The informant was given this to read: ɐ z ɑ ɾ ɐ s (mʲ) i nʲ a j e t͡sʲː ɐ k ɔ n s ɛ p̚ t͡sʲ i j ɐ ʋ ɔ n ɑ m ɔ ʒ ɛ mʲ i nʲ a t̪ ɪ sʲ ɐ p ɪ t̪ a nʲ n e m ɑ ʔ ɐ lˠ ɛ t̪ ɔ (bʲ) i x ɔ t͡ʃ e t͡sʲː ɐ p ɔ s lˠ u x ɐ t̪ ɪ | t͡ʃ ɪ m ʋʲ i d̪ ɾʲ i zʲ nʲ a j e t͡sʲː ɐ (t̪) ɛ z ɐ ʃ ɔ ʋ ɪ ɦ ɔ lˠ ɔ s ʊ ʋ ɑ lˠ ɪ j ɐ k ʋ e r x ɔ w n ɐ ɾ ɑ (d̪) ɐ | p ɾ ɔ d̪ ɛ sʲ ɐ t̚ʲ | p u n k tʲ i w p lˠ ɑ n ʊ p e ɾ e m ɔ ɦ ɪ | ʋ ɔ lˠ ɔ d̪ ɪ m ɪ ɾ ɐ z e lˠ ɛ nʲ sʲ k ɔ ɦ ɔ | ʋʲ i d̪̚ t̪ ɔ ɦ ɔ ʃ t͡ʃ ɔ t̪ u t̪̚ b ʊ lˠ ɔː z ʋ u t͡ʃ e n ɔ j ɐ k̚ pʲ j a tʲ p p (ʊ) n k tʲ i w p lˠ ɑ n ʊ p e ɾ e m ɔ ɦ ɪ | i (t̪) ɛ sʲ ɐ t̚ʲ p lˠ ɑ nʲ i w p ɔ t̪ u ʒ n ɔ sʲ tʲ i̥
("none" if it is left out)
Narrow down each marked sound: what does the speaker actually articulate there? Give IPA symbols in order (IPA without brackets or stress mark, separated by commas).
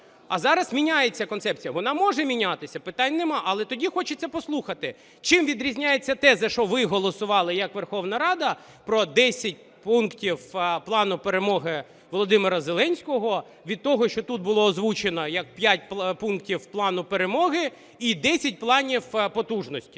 mʲ, dʲ, t̪, d̪, u, d̪